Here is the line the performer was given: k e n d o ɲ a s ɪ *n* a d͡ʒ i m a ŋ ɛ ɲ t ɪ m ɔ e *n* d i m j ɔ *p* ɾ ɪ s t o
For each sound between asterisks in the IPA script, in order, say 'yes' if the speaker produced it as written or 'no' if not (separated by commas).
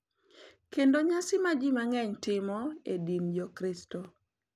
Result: no, no, no